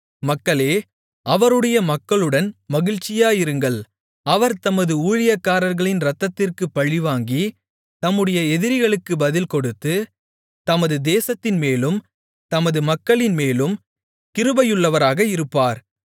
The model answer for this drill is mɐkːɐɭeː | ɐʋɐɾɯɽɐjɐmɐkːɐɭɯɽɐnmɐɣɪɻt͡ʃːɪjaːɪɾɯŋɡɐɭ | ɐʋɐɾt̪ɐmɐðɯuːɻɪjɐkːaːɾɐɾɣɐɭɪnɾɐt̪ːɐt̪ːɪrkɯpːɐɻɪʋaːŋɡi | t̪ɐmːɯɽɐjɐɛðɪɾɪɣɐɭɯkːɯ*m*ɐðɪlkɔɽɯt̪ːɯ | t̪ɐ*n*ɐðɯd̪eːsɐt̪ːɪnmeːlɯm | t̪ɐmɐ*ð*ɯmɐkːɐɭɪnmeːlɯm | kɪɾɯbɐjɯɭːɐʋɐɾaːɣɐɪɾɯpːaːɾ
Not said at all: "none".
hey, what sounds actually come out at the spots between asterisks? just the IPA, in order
b, m, ð

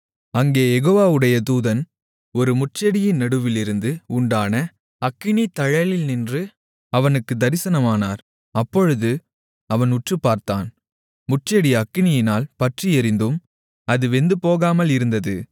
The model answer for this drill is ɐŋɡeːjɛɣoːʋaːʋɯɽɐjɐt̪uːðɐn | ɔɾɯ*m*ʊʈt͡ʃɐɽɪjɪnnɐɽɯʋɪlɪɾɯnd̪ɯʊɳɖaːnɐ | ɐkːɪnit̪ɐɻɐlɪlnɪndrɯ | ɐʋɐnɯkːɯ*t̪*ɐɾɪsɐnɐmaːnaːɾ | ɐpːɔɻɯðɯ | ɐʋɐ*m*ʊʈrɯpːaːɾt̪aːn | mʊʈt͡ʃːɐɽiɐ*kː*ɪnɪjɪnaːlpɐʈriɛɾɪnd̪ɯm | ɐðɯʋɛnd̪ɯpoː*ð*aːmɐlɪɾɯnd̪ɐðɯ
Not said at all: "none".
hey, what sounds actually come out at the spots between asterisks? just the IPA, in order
m, d̪, n, kː, ɣ

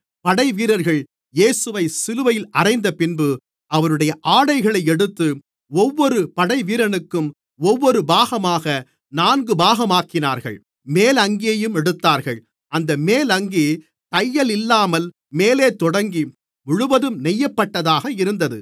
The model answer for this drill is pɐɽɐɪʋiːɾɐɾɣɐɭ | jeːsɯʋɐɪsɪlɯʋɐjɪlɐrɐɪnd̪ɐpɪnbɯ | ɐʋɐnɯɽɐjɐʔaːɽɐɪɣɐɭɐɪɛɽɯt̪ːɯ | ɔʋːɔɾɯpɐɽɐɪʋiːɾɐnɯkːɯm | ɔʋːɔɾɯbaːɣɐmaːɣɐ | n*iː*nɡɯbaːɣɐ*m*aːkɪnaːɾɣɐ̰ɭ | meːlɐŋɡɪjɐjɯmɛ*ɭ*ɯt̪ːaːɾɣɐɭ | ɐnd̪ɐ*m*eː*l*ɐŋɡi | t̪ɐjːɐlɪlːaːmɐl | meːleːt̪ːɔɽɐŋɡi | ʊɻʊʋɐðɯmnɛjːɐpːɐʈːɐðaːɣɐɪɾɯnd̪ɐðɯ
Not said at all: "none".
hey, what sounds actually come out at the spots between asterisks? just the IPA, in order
aː, m, ɽ, m, l

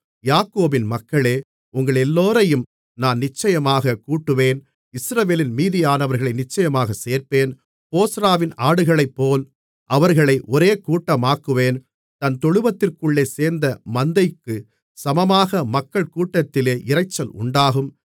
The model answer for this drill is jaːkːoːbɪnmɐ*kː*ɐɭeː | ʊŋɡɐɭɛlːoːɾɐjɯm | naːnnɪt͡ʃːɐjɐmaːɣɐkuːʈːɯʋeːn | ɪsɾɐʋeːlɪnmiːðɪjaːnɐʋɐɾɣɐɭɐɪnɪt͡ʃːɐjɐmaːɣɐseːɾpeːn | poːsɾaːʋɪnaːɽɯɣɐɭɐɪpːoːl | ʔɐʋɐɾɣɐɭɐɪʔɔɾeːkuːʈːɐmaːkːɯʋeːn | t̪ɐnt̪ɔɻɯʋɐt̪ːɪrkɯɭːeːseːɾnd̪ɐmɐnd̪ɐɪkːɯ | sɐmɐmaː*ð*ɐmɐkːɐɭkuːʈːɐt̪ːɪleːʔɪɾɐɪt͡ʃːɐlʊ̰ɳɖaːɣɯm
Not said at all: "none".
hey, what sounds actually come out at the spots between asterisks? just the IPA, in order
kː, ɣ

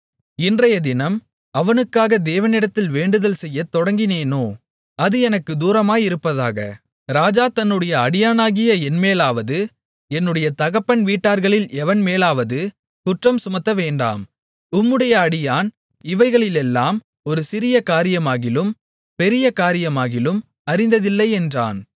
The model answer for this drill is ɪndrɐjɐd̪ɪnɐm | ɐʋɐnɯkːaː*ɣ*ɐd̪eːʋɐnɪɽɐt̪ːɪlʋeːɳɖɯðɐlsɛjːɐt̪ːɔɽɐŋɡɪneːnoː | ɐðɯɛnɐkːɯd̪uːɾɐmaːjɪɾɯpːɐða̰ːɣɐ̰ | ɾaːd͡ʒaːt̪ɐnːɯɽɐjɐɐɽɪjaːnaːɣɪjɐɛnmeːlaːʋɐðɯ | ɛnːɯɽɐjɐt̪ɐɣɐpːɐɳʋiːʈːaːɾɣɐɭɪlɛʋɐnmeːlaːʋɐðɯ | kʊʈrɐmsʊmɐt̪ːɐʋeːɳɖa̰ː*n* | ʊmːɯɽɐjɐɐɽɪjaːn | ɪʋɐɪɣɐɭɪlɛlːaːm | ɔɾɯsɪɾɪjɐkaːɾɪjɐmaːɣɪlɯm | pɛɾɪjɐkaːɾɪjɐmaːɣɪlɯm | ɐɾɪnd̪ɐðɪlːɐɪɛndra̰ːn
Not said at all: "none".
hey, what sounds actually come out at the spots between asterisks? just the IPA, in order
ɣ, m

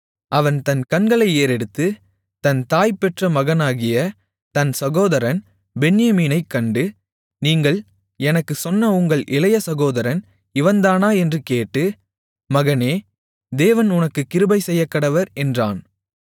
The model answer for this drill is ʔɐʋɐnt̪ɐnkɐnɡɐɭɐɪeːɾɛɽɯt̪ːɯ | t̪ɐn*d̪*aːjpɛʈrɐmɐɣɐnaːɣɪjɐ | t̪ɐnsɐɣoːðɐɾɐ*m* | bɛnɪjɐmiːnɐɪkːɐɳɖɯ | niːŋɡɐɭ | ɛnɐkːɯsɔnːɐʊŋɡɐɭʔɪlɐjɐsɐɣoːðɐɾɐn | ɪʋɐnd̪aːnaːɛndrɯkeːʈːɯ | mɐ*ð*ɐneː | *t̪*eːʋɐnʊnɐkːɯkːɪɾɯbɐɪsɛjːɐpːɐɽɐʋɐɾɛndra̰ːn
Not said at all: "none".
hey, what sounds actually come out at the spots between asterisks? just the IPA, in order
t̪, n, ɣ, d̪

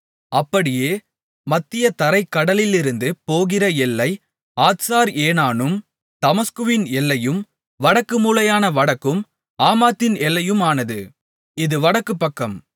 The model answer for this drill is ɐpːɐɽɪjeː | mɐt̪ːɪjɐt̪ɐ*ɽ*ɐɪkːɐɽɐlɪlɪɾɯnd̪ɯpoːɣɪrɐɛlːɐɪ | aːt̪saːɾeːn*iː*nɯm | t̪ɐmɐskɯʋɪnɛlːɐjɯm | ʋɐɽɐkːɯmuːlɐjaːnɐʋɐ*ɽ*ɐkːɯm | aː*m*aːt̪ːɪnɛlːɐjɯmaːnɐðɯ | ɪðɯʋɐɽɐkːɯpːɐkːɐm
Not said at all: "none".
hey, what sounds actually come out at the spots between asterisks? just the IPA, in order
ɾ, aː, ɽ, m

